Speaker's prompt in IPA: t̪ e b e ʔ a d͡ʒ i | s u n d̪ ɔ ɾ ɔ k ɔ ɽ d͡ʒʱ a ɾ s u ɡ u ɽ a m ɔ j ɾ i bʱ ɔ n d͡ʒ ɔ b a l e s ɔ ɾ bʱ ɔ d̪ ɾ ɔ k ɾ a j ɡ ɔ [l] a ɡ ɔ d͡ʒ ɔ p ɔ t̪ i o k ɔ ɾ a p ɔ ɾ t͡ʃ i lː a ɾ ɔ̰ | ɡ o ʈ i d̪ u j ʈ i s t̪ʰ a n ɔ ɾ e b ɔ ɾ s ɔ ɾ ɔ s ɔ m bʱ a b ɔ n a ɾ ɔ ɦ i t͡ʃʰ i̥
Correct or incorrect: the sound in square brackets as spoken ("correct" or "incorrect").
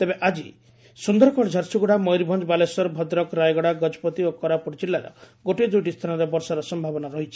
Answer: incorrect